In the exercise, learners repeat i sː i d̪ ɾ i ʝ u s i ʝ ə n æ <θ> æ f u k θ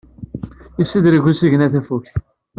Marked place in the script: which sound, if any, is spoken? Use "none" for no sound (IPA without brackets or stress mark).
θ